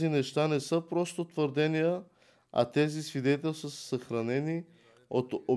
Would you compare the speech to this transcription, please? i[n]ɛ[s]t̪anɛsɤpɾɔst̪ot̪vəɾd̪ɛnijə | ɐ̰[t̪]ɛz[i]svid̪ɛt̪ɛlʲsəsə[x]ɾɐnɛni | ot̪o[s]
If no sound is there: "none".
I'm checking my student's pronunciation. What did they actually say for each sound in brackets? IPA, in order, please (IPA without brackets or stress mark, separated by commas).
n, ʃ, t̪, i, x, none